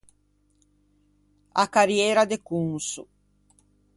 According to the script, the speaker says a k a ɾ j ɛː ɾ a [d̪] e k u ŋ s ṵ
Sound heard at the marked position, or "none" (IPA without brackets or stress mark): d̪